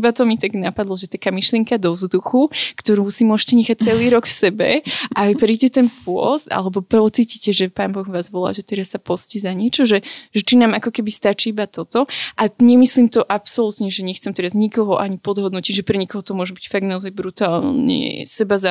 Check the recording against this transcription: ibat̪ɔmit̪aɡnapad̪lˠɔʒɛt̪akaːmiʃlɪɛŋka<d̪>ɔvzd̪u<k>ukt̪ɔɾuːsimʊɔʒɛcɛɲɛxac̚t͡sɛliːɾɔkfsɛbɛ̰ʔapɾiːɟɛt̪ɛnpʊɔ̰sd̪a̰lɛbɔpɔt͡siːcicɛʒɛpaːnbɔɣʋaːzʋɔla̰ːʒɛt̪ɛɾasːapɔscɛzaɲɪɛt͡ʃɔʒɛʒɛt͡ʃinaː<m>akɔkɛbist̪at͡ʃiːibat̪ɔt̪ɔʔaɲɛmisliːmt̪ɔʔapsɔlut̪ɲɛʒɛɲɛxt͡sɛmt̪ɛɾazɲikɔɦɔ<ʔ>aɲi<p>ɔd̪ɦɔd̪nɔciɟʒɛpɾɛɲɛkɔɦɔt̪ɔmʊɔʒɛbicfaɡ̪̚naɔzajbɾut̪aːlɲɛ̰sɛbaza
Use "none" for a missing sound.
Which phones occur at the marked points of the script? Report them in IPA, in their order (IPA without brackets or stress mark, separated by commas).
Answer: d̪, x, m, ʔ, p